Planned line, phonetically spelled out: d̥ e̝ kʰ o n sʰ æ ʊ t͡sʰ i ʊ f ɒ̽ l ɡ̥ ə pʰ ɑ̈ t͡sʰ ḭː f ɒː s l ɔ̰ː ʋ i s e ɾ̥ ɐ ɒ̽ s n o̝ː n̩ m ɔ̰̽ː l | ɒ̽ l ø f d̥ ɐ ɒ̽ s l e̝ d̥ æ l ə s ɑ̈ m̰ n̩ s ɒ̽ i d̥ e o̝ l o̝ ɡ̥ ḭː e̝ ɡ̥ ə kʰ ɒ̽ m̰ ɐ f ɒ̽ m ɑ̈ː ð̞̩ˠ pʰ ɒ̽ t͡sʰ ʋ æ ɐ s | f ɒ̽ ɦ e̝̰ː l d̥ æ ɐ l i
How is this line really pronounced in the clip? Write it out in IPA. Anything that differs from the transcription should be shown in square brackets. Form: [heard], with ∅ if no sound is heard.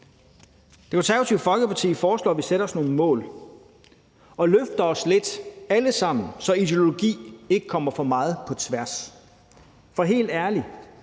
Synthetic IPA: d̥ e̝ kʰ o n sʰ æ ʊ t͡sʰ i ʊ f ɒ̽ l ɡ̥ ə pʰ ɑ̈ t͡sʰ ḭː f ɒː s l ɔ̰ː ʋ i s e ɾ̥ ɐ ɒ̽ s n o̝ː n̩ m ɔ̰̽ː l | ɒ̽ l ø f d̥ ɐ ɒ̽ s l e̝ d̥ æ l ə s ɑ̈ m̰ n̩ s ɒ̽ i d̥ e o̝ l o̝ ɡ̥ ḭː e̝ ɡ̥ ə kʰ ɒ̽ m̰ ɐ f ɒ̽ m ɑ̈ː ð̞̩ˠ pʰ ɒ̽ t͡sʰ ʋ æ ɐ s | f ɒ̽ ɦ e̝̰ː l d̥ æ ɐ l i

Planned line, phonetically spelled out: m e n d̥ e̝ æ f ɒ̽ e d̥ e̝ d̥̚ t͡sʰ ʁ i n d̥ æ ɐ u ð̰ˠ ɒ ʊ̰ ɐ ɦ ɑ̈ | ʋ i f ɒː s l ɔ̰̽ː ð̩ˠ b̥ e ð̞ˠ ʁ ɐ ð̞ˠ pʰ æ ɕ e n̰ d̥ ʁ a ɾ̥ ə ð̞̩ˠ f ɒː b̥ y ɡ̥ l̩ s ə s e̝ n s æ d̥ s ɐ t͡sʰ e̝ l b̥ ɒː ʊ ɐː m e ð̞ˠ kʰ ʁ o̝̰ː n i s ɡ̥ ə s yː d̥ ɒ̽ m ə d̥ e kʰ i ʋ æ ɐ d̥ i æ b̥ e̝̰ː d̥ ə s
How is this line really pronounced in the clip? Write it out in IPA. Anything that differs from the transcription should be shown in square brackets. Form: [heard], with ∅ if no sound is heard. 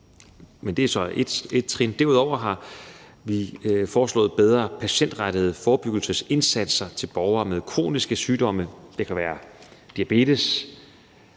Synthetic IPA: m e n d̥ e̝ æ [s] ɒ̽ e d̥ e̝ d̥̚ t͡sʰ ʁ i n d̥ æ ɐ u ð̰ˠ ɒ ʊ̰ ɐ ɦ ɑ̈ | ʋ i f ɒː s l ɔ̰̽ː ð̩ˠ b̥ e ð̞ˠ ʁ ɐ [∅] pʰ æ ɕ e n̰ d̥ ʁ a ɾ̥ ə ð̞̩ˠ f ɒː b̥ y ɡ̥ l̩ s ə s e̝ n s æ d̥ s ɐ t͡sʰ e̝ l b̥ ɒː ʊ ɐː m e ð̞ˠ kʰ ʁ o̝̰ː n i s ɡ̥ ə s yː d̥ ɒ̽ m ə d̥ e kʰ [æ] ʋ [æː] ɐ d̥ i æ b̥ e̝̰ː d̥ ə s

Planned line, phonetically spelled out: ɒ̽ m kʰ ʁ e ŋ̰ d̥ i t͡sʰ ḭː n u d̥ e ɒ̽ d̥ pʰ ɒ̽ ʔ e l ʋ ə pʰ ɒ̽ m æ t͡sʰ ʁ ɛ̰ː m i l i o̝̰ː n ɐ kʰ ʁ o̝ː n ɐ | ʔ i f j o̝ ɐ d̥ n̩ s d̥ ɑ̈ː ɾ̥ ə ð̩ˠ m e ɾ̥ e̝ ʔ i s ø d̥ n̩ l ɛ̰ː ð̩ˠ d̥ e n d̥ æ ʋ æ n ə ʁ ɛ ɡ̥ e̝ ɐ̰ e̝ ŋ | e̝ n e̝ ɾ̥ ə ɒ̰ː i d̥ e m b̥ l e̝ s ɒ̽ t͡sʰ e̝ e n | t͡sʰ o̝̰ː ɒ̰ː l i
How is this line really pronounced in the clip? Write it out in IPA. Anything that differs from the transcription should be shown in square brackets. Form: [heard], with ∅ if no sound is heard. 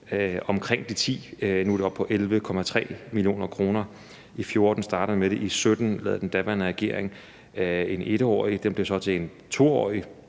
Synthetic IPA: ɒ̽ m kʰ ʁ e ŋ̰ d̥ i t͡sʰ ḭː n u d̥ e ɒ̽ [b̥] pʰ ɒ̽ ʔ e l ʋ ə [kʰ] ɒ̽ m æ t͡sʰ ʁ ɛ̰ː m i l i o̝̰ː n ɐ kʰ ʁ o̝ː n ɐ | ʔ i f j o̝ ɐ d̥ n̩ s d̥ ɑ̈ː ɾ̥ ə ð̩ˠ m e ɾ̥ e̝ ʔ i s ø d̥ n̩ l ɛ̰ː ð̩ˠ d̥ e n d̥ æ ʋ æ n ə ʁ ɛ ɡ̥ e̝ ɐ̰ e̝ ŋ | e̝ n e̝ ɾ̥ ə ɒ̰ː i d̥ e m b̥ l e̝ s ɒ̽ t͡sʰ e̝ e n | t͡sʰ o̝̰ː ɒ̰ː [∅] i

